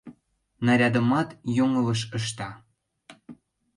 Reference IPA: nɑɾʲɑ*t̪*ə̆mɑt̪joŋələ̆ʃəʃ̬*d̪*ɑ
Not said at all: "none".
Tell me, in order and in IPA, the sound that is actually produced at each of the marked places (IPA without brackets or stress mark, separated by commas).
d̪, t̪